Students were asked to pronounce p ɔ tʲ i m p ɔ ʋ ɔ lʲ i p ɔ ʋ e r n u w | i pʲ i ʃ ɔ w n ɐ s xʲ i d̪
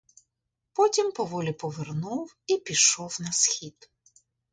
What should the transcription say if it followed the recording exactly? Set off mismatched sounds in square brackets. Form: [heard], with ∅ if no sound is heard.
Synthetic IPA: p ɔ tʲ i m p ɔ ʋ ɔ lʲ i p ɔ ʋ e r n u w | i pʲ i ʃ ɔ w n ɐ s xʲ i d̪